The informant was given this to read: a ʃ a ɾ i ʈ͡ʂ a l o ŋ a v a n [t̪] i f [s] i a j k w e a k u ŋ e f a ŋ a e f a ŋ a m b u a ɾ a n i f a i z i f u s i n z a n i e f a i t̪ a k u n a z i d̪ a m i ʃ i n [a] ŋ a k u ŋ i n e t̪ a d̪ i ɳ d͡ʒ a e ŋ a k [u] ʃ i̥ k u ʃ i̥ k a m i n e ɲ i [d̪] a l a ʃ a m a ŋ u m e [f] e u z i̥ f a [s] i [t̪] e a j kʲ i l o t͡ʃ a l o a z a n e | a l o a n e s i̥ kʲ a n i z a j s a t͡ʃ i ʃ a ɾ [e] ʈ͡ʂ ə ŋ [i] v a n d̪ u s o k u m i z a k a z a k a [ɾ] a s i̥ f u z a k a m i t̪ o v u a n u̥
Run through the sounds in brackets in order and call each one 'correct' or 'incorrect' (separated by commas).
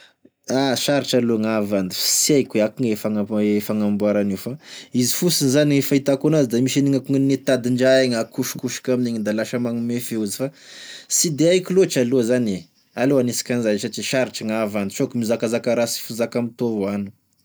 incorrect, correct, incorrect, correct, correct, correct, correct, incorrect, incorrect, incorrect, correct